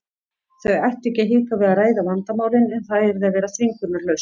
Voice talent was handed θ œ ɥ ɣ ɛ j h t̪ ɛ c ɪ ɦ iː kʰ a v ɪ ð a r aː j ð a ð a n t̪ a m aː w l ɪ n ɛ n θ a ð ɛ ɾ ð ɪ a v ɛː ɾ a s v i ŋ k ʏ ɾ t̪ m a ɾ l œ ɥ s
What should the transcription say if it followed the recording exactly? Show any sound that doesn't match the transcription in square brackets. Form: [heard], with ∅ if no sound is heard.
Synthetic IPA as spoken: θ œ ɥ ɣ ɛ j h t̪ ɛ c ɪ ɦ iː [k] a v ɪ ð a r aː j ð a [v] a n t̪ a m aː w l ɪ n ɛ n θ a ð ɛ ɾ ð ɪ a v ɛː ɾ a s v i ŋ k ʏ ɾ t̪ [n] a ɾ l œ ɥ s